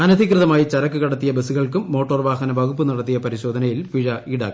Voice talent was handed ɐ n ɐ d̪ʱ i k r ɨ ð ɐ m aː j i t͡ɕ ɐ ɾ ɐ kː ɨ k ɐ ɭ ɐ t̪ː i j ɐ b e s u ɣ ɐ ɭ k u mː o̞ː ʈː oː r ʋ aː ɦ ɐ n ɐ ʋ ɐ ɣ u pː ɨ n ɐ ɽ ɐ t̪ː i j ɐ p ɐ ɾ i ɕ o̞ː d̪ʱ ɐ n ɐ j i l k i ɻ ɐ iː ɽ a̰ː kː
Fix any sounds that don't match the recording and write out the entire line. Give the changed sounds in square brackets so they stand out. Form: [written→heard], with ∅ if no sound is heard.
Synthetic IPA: ɐ n ɐ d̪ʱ i k r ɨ ð ɐ m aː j i t͡ɕ ɐ ɾ ɐ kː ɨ k ɐ [ɭ→ɽ] ɐ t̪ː i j ɐ b e s u ɣ ɐ ɭ k u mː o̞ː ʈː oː r ʋ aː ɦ ɐ n ɐ ʋ ɐ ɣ u pː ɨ n ɐ ɽ ɐ t̪ː i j ɐ p ɐ ɾ i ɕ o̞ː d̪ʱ ɐ n ɐ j i l [k→p] i ɻ ɐ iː ɽ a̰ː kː